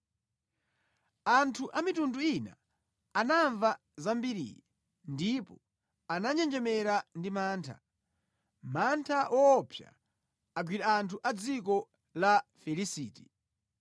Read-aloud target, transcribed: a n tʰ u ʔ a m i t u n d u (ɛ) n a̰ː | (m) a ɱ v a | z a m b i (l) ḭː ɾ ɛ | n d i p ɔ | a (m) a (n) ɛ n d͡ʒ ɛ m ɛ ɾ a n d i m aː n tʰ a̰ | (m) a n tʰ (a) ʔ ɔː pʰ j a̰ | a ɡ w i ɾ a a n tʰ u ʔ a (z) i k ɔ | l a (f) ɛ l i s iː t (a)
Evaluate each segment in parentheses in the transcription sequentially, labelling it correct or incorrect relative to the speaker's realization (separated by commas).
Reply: incorrect, incorrect, incorrect, incorrect, incorrect, correct, correct, incorrect, correct, incorrect